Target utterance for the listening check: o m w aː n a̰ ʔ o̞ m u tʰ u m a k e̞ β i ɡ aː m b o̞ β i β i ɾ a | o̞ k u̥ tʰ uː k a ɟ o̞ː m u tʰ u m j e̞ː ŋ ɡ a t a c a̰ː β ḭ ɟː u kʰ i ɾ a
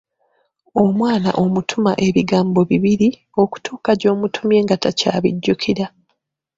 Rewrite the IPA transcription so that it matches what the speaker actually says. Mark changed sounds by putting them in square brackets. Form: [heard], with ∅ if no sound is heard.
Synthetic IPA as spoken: o m w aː n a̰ ʔ o̞ m u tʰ u m a [ʔ] e̞ β i ɡ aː m b o̞ β i β i ɾ [i] | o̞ k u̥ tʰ uː k a ɟ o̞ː m u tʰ u m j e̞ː ŋ ɡ a t a c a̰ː β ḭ ɟː u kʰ i ɾ a

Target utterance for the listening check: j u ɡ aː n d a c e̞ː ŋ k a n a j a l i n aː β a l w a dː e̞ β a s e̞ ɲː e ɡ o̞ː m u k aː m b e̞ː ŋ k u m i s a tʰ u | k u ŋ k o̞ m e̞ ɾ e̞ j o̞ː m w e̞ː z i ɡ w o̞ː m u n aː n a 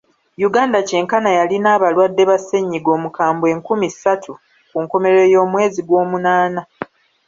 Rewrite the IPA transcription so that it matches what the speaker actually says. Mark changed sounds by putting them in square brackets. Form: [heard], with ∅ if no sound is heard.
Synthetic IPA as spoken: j u ɡ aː n d a c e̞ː ŋ k a n a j a l i n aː β a l w a dː e̞ β a s e̞ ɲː [i] ɡ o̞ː m u k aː m b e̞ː ŋ k u m i s a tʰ u | k u ŋ k o̞ m e̞ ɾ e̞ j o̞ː m w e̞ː z i ɡ w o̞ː m u n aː n a

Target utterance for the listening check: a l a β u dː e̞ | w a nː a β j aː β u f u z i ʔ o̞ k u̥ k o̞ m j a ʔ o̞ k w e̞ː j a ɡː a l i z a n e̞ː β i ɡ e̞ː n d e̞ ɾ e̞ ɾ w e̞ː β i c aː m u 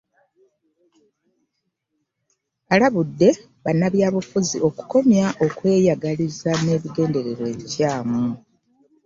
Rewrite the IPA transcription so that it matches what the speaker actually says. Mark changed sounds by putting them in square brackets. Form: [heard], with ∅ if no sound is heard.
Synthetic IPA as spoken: a l a β u dː e̞ | [β] a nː a β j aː β u f u z i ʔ o̞ k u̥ k o̞ m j a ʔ o̞ k w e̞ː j a [ɡ] a l i z a n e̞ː β i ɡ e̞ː n d e̞ ɾ e̞ ɾ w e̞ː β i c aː m u

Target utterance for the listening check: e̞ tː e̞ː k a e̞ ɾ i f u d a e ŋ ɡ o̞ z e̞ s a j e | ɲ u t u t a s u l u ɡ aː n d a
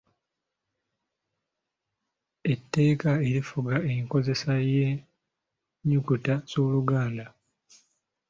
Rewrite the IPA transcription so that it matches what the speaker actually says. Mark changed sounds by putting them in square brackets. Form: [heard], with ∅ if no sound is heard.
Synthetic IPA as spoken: e̞ tː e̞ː k a e̞ ɾ i f u [ɡ] a e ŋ [k] o̞ z e̞ s a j e | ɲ u [k] u t a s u l u ɡ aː n d a

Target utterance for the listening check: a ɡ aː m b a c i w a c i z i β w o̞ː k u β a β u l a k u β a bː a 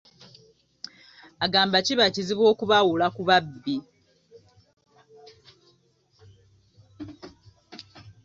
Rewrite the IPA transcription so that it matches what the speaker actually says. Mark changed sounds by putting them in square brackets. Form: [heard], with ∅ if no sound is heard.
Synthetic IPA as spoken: a ɡ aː m b a c i [β] a c i z i β w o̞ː k u β a [w] u l a k u β a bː [i]

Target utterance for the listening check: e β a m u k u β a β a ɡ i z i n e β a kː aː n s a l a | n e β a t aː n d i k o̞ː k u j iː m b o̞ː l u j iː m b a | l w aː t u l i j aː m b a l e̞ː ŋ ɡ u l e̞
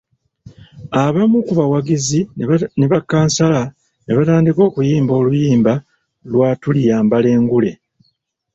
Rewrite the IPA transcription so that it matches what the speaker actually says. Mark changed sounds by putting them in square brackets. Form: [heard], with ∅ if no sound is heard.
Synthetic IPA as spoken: [a] β a m u k u β a [w] a ɡ i z i n e β a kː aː n s a l a | n e β a t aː n d i k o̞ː k u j iː m b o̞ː l u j iː m b a | l w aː t u l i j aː m b a l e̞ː ŋ ɡ u l e̞

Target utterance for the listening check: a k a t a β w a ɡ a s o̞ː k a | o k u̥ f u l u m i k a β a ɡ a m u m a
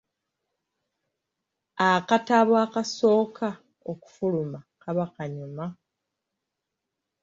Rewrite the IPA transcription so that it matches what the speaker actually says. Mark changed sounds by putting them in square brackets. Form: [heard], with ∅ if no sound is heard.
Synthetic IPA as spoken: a k a t a β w a [k] a s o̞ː k a | o k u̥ f u l u m [a] k a β a [k] a [ɲ] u m a

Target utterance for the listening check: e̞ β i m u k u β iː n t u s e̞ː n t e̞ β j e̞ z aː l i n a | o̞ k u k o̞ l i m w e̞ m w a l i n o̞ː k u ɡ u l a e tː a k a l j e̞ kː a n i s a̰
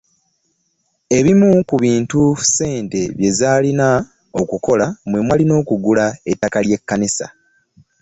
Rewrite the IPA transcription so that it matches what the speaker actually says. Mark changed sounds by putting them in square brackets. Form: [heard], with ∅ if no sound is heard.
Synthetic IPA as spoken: e̞ β i m u k u β iː n t u s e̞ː n t e̞ β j e̞ z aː l i n a | o̞ k u k o̞ l [a] m w e̞ m w a l i n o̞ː k u ɡ u l a e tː a k a l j e̞ kː a n i s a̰

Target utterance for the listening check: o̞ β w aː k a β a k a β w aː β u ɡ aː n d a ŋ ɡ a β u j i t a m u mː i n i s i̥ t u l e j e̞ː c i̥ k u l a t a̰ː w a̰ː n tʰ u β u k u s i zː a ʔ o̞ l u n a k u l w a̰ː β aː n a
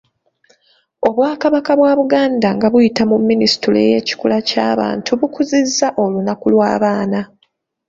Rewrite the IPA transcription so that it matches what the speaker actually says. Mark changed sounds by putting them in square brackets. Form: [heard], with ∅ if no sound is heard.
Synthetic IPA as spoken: o̞ β w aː k a β a k a β w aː β u ɡ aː n d a ŋ ɡ a β u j i t a m u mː i n i s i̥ t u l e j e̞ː c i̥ k u l a [c] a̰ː [β] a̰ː n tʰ u β u k u [z] i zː a ʔ o̞ l u n a k u l w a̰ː β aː n a

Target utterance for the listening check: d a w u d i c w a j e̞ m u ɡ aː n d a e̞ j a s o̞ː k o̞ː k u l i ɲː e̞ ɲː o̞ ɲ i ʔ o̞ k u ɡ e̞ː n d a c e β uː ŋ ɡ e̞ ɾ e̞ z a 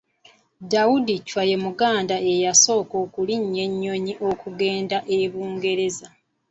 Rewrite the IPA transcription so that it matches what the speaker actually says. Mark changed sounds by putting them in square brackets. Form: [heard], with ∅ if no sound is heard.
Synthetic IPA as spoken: d a w u d i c w a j e̞ m u ɡ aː n d a e̞ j a s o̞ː k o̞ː k u l i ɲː e̞ ɲː o̞ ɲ i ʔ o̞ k u ɡ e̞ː n d a [ʔ] e β uː ŋ ɡ e̞ ɾ e̞ z a

